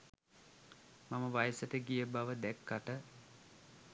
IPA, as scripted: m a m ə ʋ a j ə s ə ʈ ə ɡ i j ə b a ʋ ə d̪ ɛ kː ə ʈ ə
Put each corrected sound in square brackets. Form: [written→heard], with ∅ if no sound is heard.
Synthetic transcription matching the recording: m a m ə ʋ a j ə s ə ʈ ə ɡ i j ə b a ʋ ə d̪ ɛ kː [ə→a] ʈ ə